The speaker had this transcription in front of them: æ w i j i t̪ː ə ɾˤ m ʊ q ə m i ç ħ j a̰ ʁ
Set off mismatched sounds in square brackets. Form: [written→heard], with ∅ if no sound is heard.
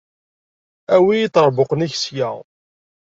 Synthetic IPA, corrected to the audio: æ w i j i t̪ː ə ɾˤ [m→b] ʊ q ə [m→n] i ç [ħ→s] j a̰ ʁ